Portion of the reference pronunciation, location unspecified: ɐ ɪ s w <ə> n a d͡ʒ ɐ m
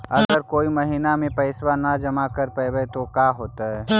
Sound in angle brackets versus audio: incorrect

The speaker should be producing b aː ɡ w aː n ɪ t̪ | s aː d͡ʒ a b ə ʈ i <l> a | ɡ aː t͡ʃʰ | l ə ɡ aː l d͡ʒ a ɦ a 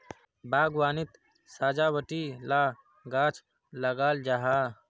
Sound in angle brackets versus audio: correct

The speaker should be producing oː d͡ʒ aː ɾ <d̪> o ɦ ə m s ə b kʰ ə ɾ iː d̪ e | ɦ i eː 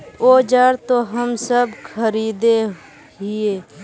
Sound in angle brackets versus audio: incorrect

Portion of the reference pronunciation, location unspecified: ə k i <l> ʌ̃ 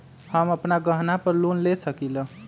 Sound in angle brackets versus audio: correct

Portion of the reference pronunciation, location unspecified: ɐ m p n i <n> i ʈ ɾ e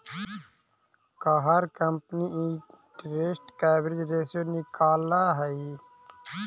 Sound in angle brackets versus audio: incorrect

